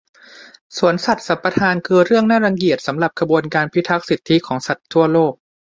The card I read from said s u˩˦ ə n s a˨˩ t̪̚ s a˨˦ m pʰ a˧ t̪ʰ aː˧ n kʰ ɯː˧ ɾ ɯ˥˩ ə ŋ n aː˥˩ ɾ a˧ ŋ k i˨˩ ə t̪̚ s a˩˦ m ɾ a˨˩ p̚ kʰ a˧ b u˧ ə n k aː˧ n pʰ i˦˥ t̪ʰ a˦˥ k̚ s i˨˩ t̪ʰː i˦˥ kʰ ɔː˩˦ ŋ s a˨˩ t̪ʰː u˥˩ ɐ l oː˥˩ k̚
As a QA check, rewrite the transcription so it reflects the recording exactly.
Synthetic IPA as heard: s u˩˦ ə n s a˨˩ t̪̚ s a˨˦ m p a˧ t̪ʰ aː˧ n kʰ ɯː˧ ɾ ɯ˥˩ ə ŋ n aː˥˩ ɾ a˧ ŋ k i˨˩ ə t̪̚ s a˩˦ m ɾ a˨˩ p̚ kʰ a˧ b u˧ ə n k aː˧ n pʰ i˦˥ t̪ʰ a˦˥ k̚ s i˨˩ t̪ʰː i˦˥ kʰ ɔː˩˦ ŋ s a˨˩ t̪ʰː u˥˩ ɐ l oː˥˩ k̚